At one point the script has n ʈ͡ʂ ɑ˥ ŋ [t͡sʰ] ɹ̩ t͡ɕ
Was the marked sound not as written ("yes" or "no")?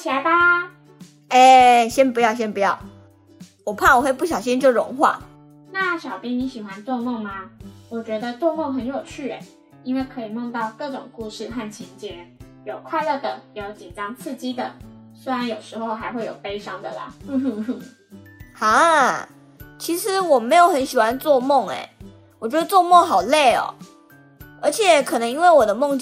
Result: no